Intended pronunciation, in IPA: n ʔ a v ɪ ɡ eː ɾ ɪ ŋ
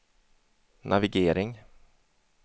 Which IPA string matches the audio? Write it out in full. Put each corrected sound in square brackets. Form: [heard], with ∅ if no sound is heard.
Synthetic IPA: n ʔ a v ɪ ɡ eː ɾ ɪ ŋ